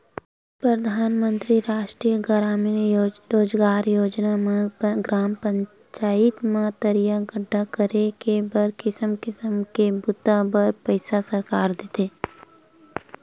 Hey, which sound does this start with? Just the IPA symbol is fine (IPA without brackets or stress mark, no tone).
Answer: p